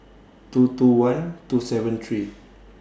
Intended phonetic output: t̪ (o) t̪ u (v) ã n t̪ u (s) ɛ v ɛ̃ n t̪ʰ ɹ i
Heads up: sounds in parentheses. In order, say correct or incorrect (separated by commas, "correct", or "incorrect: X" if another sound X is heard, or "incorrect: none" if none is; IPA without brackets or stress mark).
incorrect: u, incorrect: w, correct